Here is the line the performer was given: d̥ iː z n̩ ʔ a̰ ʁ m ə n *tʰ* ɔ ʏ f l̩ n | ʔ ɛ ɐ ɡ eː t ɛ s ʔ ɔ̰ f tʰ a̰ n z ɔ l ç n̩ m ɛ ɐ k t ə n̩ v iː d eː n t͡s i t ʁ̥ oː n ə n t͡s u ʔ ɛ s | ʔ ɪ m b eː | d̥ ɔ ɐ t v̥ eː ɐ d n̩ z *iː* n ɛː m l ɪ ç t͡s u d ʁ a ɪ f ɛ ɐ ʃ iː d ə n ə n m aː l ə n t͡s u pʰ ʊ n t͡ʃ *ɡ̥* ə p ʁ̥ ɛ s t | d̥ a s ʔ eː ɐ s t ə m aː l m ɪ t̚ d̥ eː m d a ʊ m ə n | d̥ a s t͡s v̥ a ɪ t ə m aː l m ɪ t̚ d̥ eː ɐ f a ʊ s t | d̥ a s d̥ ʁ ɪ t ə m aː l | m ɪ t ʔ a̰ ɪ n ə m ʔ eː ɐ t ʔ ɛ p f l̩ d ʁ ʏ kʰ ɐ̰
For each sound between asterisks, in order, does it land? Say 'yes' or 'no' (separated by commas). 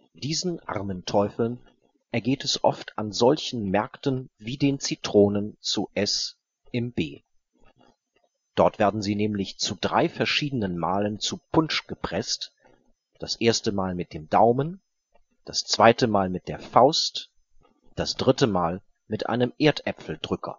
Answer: yes, yes, yes